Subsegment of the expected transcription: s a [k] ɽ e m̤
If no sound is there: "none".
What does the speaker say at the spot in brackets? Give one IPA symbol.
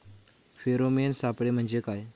p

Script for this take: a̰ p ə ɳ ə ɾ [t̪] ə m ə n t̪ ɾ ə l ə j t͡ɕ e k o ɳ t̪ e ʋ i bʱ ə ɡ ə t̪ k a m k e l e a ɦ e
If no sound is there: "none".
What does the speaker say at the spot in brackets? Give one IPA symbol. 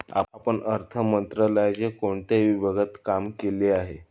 t̪ʰ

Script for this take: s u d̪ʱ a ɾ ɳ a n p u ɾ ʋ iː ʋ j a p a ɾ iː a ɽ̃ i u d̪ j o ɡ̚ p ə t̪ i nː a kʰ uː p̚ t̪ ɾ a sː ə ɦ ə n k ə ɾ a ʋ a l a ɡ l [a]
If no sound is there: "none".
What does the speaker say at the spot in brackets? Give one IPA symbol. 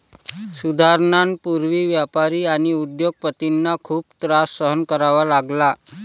a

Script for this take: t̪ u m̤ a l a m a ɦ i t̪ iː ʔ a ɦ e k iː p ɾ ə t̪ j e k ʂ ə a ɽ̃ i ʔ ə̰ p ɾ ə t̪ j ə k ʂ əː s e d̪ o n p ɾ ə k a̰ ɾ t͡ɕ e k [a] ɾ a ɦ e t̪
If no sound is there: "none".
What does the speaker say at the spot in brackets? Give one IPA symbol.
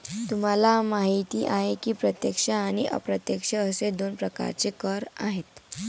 ə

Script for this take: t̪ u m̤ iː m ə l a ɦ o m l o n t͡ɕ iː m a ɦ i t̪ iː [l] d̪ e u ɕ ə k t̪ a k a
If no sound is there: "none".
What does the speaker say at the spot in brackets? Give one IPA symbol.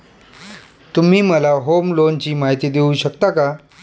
none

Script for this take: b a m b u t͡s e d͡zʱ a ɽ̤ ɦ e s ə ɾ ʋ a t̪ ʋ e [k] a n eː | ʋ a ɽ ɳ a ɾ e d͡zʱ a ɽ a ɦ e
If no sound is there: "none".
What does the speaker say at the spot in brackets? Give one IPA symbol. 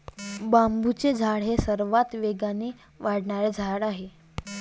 ɡ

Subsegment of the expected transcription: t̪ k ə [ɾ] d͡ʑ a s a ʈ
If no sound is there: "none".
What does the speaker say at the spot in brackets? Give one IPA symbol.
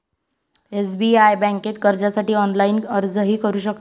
ɾ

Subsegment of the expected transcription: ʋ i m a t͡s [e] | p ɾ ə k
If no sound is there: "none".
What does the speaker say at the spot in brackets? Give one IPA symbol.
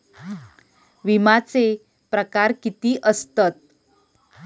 e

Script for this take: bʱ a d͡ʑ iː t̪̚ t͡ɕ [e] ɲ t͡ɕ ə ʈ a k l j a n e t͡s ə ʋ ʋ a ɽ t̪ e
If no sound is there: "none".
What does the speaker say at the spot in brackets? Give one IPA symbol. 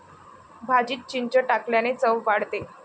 i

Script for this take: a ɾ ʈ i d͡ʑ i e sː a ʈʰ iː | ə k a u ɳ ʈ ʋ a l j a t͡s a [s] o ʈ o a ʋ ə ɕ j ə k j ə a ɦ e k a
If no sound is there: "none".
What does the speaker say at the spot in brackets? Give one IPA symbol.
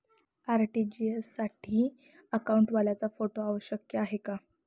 f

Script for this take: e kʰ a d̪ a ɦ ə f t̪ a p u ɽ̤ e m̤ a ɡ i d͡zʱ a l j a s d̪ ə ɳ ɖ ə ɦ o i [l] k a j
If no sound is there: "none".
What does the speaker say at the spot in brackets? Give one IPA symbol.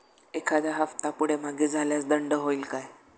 l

